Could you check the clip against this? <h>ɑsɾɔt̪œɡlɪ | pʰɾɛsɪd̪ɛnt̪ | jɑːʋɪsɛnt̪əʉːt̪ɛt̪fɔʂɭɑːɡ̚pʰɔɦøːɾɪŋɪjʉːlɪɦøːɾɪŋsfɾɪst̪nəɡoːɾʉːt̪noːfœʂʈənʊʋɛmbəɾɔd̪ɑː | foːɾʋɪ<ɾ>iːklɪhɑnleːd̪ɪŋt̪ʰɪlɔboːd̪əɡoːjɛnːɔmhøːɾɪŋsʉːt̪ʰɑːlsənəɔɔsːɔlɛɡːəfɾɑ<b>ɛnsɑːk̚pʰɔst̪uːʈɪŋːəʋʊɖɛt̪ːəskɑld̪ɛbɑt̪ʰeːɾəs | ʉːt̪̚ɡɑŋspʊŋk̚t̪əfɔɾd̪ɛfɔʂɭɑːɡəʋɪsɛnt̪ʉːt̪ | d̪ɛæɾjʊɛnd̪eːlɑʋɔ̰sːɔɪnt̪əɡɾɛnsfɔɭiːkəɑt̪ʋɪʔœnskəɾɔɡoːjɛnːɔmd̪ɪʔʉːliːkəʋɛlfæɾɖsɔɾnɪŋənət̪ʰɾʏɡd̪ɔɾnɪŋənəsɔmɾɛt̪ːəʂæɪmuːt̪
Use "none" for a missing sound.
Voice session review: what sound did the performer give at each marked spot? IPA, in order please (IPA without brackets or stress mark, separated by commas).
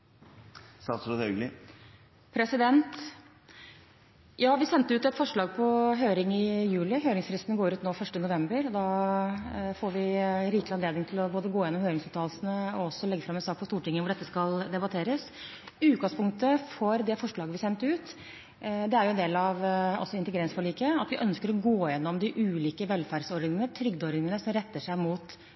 s, ɾ, m